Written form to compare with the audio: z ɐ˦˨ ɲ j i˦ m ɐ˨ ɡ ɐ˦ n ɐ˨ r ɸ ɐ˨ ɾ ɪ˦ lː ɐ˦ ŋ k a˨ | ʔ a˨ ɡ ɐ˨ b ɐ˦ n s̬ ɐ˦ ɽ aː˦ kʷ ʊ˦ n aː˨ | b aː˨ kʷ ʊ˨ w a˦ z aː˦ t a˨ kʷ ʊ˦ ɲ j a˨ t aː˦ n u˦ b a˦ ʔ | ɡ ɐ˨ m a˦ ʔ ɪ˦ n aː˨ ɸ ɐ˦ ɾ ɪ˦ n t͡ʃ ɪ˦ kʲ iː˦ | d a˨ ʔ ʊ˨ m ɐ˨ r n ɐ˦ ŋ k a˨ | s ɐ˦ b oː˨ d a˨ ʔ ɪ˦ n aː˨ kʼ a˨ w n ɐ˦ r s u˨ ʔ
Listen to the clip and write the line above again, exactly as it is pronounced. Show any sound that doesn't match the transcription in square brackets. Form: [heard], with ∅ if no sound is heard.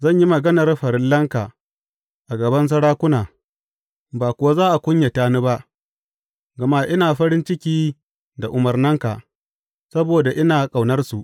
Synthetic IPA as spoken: z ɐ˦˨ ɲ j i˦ m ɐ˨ ɡ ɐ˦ n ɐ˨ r ɸ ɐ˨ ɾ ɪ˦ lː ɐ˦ ŋ k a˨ | ʔ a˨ ɡ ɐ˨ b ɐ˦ n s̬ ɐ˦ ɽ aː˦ kʷ ʊ˦ n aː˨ | b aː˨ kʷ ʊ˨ w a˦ z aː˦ [ʔ] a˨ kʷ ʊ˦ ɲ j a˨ t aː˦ n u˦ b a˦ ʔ | ɡ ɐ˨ m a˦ ʔ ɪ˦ n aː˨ ɸ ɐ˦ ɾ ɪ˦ n t͡ʃ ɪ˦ kʲ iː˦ | d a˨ ʔ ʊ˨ m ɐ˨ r n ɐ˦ ŋ k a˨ | s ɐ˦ b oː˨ d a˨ ʔ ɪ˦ n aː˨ kʼ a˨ w n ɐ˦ r s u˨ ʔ